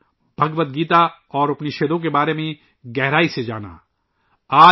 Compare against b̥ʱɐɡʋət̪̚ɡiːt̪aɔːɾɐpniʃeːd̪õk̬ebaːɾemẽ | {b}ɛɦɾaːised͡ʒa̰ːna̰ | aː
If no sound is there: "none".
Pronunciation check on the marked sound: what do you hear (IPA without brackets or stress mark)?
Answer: ɡ